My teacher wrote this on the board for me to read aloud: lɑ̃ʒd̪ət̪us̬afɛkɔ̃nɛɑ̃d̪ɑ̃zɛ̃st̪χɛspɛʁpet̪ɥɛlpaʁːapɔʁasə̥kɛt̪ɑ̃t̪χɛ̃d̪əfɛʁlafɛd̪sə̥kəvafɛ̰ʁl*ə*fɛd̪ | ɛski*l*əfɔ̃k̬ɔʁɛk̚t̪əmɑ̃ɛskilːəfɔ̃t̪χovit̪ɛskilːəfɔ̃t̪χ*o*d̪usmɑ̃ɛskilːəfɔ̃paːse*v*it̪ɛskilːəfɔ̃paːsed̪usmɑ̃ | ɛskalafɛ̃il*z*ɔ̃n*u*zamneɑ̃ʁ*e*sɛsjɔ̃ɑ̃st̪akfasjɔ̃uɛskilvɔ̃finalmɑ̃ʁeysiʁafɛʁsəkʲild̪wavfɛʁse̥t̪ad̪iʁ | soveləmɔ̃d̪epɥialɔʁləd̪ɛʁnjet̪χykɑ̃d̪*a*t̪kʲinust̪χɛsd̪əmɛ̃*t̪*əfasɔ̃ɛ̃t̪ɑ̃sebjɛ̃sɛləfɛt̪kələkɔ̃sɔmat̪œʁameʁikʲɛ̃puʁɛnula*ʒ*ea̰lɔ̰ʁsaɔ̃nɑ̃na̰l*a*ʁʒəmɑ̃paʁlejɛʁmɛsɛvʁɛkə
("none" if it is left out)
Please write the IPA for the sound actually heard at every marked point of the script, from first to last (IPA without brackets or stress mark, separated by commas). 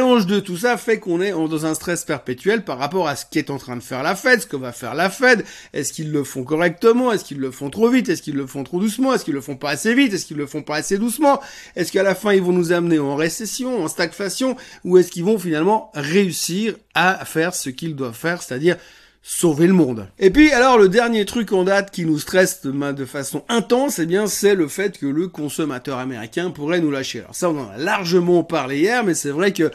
a, lː, o, v, v, u, e, a, d̪, ʃ, a